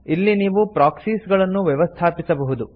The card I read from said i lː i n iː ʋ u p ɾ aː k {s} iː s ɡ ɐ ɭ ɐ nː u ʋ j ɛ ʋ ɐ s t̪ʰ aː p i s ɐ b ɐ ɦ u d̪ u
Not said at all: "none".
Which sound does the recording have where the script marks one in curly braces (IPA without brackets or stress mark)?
s